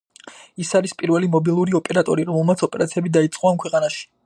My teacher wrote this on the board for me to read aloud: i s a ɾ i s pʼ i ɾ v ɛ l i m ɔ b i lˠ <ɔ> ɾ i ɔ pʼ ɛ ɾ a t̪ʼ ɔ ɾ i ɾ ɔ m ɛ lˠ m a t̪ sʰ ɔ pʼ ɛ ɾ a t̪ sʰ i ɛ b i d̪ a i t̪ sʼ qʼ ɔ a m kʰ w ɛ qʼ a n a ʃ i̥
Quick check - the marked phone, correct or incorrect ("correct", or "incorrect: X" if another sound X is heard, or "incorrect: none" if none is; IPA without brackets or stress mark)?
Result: incorrect: u